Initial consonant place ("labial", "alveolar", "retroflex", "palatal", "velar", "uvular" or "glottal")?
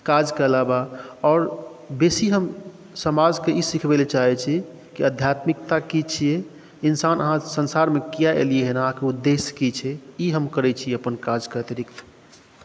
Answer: velar